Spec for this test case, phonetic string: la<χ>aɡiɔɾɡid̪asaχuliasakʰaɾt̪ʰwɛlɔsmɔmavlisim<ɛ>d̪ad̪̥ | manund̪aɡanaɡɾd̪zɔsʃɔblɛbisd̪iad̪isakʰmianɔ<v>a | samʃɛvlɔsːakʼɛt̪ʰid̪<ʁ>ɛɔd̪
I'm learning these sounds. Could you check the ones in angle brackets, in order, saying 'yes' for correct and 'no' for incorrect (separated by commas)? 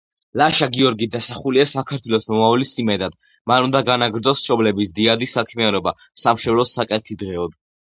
no, yes, no, yes